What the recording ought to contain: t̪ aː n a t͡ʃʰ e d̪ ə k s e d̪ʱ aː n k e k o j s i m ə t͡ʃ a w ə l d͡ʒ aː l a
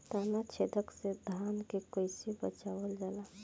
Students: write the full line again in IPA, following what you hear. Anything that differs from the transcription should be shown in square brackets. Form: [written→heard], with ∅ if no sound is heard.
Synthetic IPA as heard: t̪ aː n a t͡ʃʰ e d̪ ə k s e d̪ʱ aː n k e k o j s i [m→b] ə t͡ʃ a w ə l d͡ʒ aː l a